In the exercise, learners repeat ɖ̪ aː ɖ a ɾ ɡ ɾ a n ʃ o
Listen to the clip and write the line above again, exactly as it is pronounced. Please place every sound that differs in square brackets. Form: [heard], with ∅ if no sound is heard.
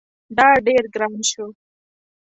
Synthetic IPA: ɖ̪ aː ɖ [e] ɾ ɡ ɾ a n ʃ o